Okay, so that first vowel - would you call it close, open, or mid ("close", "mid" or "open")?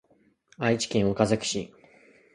open